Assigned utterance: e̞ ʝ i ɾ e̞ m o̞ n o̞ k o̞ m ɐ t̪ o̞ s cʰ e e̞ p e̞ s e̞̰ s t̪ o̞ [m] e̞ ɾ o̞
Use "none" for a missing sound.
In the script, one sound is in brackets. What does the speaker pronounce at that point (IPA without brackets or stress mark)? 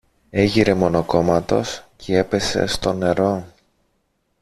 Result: n